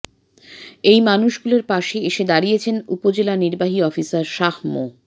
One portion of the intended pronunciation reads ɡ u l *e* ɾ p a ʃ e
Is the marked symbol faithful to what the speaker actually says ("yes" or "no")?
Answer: yes